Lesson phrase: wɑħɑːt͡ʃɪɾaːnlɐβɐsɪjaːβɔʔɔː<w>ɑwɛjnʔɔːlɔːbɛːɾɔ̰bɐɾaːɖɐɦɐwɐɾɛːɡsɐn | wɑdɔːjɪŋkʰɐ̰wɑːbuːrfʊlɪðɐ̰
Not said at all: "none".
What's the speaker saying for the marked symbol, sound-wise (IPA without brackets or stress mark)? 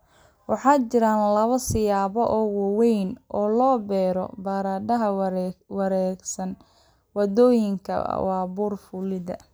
w